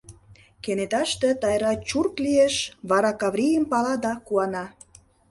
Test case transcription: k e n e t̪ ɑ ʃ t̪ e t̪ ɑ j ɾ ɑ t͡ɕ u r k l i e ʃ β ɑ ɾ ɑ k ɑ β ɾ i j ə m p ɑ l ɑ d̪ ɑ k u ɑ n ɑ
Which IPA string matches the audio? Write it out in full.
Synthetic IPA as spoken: k e n e t̪ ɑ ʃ t̪ e t̪ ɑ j ɾ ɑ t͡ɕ u r k l i e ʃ β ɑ ɾ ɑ k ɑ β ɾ i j ə m p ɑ l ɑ d̪ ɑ k u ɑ n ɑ